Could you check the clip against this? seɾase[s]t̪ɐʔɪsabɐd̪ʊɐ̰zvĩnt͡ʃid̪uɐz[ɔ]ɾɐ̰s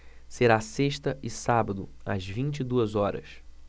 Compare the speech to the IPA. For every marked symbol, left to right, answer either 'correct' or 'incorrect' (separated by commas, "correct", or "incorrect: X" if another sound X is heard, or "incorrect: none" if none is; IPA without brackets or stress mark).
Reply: incorrect: ʃ, correct